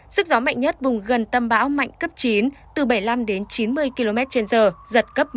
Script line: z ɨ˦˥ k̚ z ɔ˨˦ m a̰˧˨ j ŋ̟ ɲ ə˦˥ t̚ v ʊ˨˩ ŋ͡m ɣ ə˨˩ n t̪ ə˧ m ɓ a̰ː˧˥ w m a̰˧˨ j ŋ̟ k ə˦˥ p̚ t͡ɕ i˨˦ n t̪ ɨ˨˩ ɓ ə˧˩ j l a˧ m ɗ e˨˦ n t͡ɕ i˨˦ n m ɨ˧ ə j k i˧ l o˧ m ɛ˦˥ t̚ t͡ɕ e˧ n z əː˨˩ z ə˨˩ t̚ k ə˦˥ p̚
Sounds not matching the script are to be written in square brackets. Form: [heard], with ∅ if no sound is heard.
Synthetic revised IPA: z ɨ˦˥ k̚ z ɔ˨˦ m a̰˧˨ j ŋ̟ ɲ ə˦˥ t̚ v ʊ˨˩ ŋ͡m ɣ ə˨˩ n t̪ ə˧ m ɓ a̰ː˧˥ w m a̰˧˨ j ŋ̟ k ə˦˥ p̚ t͡ɕ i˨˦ n t̪ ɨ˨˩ ɓ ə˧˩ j l a˧ m ɗ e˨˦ n t͡ɕ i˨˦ n m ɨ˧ ə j k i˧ l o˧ m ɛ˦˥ t̚ t͡ɕ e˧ n z əː˨˩ z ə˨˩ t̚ k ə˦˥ p̚